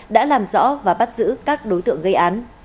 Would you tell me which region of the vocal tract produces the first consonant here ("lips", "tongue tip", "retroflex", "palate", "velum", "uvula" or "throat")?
tongue tip